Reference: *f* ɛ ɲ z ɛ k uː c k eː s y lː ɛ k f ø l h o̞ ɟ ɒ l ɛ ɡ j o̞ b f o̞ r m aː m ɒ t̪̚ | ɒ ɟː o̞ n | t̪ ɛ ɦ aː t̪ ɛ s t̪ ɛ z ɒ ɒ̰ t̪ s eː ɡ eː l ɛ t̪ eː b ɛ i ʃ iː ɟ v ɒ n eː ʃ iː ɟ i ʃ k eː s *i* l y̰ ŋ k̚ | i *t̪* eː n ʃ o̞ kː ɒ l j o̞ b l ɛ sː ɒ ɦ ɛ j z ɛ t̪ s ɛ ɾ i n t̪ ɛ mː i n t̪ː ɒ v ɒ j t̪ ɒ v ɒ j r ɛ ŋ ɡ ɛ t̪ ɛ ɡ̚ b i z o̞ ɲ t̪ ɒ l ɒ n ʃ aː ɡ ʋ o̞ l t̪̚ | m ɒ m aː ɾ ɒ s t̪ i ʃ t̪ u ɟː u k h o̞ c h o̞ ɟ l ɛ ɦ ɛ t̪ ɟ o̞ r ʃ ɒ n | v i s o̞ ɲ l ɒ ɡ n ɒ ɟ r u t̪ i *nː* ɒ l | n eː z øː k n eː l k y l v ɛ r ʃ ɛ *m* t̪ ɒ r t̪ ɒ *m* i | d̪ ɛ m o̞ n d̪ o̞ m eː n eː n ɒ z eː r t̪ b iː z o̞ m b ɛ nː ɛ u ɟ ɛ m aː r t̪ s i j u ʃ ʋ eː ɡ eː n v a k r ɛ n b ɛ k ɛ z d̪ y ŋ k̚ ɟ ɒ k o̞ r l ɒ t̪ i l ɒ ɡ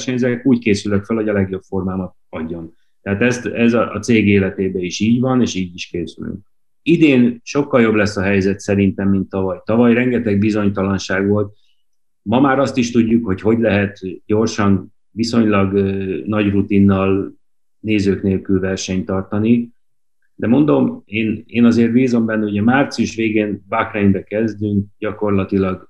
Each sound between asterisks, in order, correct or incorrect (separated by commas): incorrect, incorrect, incorrect, correct, incorrect, incorrect